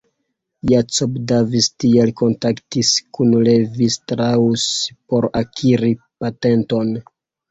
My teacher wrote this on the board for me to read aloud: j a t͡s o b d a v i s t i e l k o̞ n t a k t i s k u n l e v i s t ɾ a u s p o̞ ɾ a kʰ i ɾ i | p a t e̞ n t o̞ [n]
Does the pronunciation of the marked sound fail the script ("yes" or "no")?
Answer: no